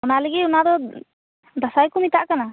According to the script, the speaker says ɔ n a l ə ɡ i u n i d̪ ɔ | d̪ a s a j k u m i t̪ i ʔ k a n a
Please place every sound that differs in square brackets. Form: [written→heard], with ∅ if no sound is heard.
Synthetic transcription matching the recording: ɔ n a l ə ɡ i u n [i→a] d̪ ɔ | d̪ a s a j k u m i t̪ [i→a] ʔ k a n a